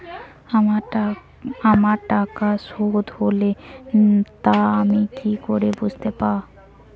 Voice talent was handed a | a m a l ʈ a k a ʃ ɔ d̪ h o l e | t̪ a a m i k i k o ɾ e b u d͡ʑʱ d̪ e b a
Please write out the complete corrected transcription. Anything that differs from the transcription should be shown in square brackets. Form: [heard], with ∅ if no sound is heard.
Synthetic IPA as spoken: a | a m a [ɾ] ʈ a k a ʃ [o] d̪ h o l e | t̪ a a m i k i k o ɾ e b u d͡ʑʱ [t̪] e [p] a